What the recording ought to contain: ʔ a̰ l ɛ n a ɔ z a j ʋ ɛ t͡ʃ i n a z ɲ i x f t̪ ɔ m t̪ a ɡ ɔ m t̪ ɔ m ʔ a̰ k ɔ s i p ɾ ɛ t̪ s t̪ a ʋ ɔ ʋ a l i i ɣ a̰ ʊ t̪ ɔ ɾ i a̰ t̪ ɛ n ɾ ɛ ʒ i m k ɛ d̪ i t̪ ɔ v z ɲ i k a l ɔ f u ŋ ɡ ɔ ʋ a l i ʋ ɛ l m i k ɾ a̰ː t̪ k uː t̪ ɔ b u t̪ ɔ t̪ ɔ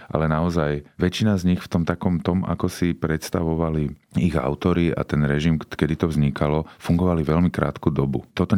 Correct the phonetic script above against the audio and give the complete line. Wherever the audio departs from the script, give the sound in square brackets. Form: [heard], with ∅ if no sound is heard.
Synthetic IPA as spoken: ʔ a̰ l ɛ n a ɔ z a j ʋ ɛ t͡ʃ i n a z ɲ i x f t̪ ɔ m t̪ a [k] ɔ m t̪ ɔ m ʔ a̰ k ɔ s i p ɾ ɛ t̪ s t̪ a ʋ ɔ ʋ a l i i ɣ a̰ ʊ t̪ ɔ ɾ i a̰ t̪ ɛ n ɾ ɛ ʒ i m k ɛ d̪ i t̪ ɔ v z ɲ i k a l ɔ f u ŋ ɡ ɔ ʋ a l i ʋ ɛ l m i k ɾ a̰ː t̪ k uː [d̪] ɔ b u t̪ ɔ t̪ ɔ